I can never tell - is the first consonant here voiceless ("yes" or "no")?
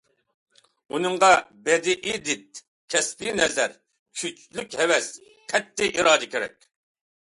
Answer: no